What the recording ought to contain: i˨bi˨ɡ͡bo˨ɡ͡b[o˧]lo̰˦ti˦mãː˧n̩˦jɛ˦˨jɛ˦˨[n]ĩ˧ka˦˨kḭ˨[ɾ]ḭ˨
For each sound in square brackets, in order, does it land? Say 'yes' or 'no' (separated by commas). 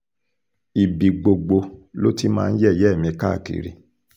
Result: yes, no, yes